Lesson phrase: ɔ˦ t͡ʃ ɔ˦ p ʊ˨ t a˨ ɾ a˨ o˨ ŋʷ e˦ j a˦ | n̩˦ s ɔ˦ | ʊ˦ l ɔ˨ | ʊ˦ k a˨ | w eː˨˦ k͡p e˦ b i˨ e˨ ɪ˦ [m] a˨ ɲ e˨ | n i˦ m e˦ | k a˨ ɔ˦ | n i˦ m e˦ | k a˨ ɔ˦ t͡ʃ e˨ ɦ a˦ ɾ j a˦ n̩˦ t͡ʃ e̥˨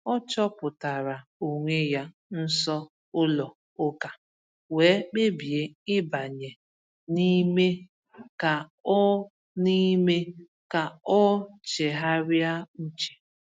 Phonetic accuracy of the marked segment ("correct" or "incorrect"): incorrect